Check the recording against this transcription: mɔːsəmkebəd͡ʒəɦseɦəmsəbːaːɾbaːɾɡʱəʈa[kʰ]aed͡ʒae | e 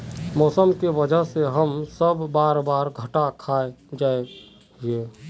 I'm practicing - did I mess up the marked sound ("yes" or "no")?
no